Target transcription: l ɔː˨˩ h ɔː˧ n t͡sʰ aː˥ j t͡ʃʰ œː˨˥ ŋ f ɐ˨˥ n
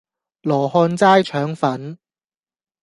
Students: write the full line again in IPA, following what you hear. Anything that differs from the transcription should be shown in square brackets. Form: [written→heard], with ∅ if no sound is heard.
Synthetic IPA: l ɔː˨˩ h ɔː˧ n [t͡sʰ→t͡s] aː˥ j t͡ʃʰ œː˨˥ ŋ f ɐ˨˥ n